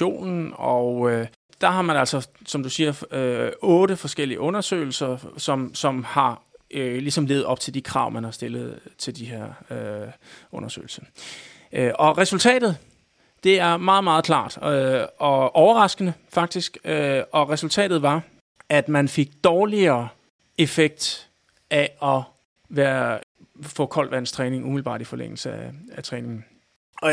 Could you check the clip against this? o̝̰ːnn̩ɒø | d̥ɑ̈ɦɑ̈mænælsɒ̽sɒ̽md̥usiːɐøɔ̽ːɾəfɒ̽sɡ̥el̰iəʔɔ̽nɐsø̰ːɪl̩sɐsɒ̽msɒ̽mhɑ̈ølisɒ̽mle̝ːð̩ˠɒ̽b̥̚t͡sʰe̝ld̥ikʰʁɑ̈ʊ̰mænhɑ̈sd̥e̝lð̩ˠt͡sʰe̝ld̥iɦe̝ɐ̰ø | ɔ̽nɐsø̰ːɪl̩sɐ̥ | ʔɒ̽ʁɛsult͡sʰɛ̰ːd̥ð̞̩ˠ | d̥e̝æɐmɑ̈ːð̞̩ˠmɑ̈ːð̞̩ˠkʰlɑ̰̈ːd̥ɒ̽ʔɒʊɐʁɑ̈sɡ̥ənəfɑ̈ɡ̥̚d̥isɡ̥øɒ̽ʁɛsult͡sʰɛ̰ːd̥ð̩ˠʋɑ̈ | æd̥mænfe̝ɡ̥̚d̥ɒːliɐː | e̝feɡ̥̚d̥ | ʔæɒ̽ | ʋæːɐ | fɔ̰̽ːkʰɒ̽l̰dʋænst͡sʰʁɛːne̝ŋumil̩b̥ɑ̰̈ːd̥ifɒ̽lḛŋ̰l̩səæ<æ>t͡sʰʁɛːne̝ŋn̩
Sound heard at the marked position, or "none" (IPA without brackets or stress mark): æ